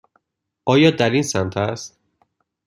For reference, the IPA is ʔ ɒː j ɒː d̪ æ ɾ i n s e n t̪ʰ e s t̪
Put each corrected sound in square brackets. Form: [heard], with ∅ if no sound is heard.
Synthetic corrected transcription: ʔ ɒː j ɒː d̪ æ ɾ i n s [æ] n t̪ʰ [æ] s t̪